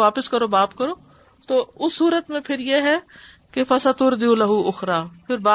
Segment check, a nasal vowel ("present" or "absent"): present